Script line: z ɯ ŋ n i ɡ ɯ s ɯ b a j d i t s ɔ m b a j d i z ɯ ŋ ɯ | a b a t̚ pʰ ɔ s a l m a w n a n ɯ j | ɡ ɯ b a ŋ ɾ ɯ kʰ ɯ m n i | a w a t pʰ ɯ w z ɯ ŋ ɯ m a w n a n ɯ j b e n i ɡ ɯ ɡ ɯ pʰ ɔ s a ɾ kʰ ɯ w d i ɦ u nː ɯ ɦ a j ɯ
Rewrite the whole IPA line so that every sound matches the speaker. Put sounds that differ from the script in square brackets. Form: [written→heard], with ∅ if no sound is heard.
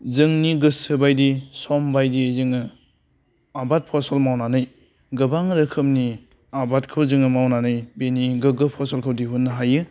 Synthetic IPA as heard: z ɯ ŋ n i ɡ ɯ s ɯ b a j d i [t→∅] s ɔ m b a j d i z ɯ ŋ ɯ | a b a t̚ pʰ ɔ s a l m a w n a n ɯ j | ɡ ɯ b a ŋ ɾ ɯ kʰ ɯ m n i | a [w→b] a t [pʰ→kʰ] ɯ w z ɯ ŋ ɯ m a w n a n ɯ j b e n i ɡ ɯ ɡ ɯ pʰ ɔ s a [ɾ→l] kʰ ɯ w d i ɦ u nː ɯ ɦ a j ɯ